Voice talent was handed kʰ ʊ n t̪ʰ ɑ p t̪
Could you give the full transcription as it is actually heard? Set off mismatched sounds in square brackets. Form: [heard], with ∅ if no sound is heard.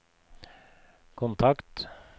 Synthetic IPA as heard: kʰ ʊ n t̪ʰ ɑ [k] t̪